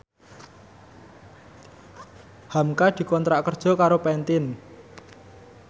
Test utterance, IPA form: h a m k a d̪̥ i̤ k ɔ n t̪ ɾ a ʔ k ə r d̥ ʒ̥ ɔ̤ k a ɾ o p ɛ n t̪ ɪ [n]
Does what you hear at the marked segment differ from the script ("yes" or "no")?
no